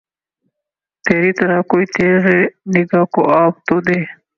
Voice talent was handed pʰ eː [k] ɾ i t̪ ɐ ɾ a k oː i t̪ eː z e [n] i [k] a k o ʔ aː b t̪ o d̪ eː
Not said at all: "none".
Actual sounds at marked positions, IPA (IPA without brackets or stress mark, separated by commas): none, n, ɡ